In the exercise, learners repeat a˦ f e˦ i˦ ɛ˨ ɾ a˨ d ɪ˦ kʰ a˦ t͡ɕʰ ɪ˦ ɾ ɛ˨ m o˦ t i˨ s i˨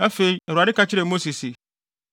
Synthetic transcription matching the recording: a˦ f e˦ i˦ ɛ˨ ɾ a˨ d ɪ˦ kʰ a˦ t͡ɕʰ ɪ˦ ɾ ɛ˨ m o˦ s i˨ s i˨